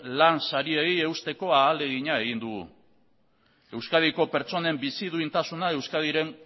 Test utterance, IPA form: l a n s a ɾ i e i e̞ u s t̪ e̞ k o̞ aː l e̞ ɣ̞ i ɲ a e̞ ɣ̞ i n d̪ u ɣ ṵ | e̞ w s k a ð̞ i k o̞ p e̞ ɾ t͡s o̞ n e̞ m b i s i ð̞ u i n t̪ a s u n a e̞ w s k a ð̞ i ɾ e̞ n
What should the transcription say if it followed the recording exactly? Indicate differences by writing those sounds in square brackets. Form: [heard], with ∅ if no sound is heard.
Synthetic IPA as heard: l a n s a ɾ i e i e̞ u s t̪ e̞ k o̞ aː l e̞ ɣ̞ i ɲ a e̞ ɣ̞ i n d̪ u ɣ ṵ | e̞ w s k a ð̞ i k o̞ p e̞ ɾ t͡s o̞ n e̞ m b i s i ð̞ u i n t̪ a s u n a e̞ w s k a ð̞ i ɾ e̞ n